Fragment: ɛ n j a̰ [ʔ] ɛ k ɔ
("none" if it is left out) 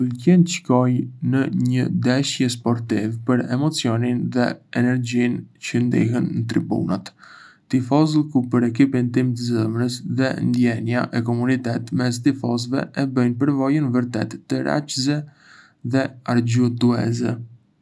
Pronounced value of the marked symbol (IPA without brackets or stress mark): ʔ